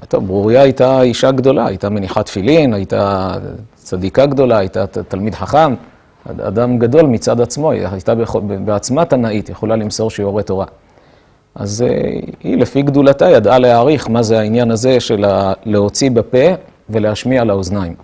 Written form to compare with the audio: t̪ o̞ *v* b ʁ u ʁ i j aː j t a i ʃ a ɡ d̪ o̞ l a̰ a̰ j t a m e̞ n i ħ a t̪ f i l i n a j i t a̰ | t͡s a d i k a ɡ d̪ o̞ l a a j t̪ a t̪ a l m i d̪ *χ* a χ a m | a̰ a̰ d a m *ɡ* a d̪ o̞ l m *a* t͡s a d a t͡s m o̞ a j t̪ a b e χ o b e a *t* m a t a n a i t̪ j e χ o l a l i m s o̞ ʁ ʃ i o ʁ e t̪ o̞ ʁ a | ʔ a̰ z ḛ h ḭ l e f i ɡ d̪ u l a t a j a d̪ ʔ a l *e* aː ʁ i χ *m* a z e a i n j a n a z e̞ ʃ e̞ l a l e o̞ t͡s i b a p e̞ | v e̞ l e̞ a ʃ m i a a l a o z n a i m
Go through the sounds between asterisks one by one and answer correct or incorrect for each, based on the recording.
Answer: correct, incorrect, correct, incorrect, incorrect, correct, correct

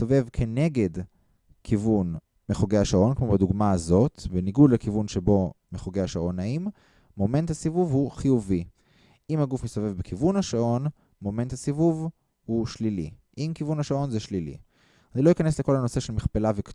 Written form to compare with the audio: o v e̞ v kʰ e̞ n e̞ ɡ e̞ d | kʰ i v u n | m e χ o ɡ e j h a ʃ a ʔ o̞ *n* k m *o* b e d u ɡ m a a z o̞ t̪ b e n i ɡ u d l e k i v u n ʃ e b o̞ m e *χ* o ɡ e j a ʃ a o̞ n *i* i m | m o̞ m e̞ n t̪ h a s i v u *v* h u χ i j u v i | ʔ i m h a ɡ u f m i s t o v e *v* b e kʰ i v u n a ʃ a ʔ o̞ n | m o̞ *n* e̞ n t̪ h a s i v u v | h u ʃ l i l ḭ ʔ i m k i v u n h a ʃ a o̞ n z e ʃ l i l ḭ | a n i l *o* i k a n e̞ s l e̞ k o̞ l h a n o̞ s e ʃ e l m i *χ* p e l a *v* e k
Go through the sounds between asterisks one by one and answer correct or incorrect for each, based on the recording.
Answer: correct, correct, correct, incorrect, correct, correct, incorrect, correct, correct, correct

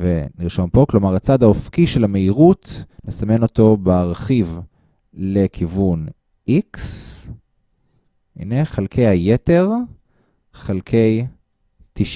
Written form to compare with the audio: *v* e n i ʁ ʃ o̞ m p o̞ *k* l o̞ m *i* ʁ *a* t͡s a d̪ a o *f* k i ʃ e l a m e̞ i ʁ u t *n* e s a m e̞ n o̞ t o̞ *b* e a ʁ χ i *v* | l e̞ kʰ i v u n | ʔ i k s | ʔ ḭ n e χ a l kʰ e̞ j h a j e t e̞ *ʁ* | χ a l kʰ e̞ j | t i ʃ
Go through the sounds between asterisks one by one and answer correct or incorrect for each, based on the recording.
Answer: correct, correct, incorrect, correct, correct, correct, correct, correct, correct

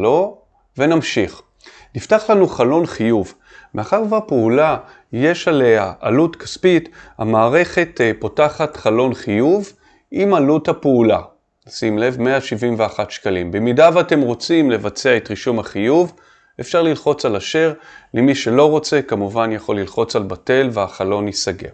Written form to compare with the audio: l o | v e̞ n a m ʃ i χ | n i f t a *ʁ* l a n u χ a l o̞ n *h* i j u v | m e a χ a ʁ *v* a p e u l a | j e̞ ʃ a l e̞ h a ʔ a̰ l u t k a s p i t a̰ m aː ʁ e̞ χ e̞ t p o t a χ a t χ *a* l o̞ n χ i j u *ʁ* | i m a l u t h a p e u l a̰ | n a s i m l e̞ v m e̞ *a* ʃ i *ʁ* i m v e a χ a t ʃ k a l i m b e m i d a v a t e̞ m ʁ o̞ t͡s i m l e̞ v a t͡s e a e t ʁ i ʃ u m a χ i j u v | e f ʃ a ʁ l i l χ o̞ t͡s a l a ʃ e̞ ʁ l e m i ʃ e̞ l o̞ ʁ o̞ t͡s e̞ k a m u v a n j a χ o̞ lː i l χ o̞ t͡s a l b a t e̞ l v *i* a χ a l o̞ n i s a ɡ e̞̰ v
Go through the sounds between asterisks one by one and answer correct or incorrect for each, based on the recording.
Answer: incorrect, incorrect, correct, correct, incorrect, correct, incorrect, incorrect

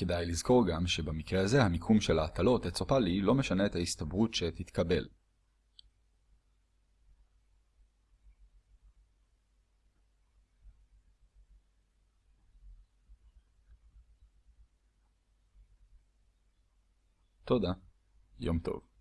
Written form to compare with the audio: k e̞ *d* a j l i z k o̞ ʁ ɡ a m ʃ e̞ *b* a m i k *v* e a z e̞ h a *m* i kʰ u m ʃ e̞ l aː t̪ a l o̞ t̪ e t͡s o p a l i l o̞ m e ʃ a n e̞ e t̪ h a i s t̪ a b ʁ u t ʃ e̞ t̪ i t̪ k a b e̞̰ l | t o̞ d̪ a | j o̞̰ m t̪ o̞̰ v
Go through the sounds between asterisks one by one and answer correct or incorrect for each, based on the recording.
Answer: correct, correct, incorrect, correct

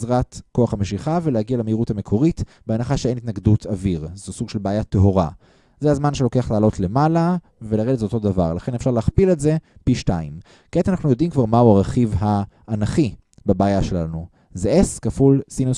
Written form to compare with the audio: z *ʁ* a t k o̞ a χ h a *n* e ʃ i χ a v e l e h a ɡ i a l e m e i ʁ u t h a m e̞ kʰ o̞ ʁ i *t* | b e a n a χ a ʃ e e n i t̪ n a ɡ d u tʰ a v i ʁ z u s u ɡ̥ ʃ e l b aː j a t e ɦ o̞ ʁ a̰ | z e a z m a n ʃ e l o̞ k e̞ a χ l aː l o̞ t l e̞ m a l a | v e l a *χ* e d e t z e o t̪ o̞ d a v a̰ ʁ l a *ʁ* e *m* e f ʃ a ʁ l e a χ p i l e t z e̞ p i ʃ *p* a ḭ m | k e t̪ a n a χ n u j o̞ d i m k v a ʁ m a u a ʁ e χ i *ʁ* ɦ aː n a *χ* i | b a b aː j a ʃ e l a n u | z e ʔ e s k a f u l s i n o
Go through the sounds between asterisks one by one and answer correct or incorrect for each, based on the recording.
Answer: correct, incorrect, correct, incorrect, incorrect, incorrect, incorrect, incorrect, correct

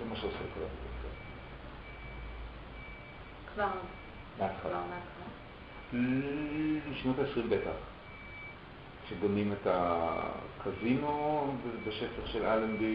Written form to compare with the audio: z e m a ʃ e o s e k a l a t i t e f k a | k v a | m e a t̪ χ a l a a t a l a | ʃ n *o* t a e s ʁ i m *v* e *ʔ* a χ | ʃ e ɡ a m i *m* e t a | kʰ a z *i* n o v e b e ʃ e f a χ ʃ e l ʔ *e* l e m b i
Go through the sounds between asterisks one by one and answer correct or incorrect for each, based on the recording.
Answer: correct, incorrect, incorrect, correct, correct, incorrect

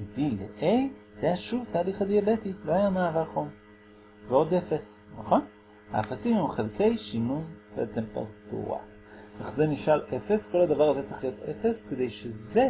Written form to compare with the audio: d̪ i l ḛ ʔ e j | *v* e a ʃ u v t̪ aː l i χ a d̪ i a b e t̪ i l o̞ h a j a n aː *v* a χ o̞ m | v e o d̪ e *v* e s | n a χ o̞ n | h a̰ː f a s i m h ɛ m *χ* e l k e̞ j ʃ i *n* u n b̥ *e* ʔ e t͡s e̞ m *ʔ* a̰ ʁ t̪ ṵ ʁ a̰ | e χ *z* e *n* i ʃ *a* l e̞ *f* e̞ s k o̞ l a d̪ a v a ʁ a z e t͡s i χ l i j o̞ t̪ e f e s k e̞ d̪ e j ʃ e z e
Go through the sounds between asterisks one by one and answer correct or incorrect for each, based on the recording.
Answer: incorrect, correct, incorrect, correct, correct, correct, incorrect, correct, correct, correct, correct

